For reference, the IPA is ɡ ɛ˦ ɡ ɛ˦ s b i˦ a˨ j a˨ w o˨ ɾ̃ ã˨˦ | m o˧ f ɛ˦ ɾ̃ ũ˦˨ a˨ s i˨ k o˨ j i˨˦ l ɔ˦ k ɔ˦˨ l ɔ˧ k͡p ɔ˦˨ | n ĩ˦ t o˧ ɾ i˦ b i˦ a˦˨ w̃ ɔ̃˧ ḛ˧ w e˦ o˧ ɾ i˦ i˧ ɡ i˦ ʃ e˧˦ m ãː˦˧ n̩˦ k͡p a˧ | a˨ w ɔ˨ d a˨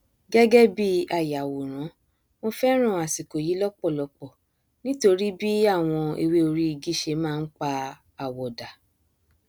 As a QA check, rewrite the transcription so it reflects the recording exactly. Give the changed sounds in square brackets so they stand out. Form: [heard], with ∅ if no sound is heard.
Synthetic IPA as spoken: ɡ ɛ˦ ɡ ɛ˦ [∅] b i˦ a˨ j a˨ w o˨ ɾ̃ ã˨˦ | m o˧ f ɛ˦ ɾ̃ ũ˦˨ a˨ s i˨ k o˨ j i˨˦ l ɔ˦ [k͡p] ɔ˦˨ l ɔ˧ k͡p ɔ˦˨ | n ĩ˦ t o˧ ɾ i˦ b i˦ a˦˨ w̃ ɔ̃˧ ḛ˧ w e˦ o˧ ɾ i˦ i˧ ɡ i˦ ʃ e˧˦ m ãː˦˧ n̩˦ k͡p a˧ | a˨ w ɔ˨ d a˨